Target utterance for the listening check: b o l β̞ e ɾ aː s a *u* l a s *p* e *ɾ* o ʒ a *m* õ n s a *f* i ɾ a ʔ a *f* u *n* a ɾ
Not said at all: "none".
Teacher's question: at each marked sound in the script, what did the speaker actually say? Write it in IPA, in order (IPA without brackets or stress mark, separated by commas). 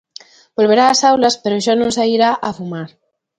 w, p, ɾ, n, none, f, m